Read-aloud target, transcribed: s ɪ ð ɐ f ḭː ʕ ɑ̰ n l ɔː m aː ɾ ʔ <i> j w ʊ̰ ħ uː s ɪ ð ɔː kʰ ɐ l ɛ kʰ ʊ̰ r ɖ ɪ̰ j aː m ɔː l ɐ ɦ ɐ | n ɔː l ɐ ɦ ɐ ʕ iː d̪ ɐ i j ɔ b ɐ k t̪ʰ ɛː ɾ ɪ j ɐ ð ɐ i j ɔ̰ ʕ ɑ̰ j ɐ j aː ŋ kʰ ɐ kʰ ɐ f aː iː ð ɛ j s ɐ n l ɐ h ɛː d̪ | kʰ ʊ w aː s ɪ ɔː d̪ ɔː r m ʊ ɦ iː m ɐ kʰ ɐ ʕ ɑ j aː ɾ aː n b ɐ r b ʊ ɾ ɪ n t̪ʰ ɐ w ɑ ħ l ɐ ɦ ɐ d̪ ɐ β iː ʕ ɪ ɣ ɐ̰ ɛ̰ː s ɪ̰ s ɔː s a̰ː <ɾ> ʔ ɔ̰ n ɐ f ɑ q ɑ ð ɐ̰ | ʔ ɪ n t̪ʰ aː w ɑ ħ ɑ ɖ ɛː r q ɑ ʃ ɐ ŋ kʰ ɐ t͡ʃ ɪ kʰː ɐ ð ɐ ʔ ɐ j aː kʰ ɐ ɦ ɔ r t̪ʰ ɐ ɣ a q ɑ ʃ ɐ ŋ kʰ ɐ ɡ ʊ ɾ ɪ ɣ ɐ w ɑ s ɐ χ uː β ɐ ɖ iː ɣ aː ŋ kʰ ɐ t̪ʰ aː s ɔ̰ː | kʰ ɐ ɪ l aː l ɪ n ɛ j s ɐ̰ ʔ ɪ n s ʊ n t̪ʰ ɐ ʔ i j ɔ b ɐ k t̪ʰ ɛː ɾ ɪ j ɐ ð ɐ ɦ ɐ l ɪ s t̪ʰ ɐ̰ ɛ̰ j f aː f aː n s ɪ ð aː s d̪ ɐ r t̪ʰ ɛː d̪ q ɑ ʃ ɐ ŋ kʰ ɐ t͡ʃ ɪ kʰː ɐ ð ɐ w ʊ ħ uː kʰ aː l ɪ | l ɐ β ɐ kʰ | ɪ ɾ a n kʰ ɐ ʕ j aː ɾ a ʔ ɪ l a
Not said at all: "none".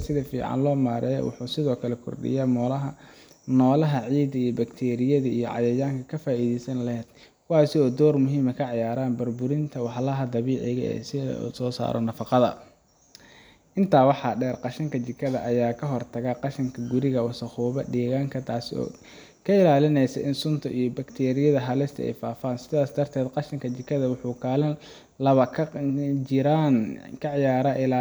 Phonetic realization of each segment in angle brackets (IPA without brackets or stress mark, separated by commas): ɛ, ɾ